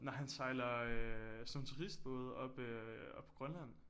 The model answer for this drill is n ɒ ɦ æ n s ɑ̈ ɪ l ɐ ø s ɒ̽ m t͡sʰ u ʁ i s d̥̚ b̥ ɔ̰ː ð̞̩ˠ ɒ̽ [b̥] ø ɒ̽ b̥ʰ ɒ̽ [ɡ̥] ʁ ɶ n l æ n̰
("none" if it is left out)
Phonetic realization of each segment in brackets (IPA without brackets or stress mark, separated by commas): b̥, ɡ̥